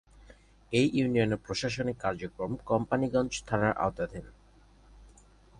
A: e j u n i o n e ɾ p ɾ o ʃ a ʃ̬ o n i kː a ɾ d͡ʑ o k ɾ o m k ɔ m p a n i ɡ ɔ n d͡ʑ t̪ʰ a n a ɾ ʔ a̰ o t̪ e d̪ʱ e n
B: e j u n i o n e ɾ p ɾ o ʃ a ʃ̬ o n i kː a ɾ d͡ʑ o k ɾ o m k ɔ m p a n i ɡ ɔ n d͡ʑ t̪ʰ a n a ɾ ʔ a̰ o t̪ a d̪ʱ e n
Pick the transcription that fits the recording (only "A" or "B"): B